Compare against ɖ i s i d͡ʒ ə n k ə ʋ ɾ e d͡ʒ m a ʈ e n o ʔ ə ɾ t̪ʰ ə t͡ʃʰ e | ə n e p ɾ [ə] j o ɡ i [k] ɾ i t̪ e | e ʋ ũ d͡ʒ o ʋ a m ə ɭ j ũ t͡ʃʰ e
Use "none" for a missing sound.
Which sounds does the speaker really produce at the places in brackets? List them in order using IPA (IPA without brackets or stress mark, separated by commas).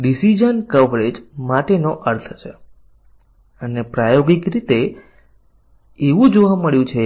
a, k